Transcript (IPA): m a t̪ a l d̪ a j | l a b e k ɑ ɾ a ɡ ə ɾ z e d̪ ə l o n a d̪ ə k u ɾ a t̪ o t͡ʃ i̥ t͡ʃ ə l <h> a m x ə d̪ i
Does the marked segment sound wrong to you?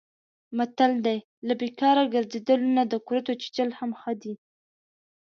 no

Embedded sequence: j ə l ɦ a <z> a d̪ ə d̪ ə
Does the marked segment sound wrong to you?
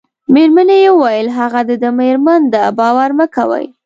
yes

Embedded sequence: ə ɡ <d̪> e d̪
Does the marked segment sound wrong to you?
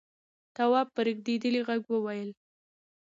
no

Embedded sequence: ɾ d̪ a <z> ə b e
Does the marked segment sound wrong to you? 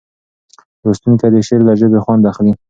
yes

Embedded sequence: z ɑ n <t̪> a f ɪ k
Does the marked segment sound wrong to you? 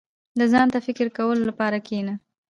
no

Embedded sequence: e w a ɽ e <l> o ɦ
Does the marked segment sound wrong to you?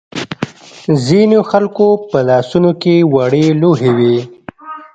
no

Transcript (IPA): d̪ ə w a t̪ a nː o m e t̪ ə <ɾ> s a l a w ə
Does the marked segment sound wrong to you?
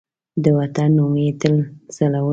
yes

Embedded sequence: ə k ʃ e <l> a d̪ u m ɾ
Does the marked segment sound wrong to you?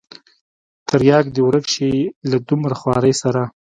no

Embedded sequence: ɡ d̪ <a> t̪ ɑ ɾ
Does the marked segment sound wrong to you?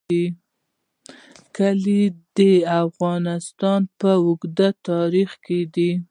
no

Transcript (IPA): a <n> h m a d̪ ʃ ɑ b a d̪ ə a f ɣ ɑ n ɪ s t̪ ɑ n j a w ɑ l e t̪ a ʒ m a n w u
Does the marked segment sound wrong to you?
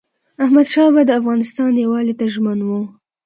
yes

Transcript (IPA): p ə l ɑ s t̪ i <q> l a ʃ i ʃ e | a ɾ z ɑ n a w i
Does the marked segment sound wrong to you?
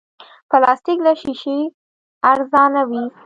yes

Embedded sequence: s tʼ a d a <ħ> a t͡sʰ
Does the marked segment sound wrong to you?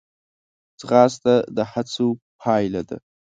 no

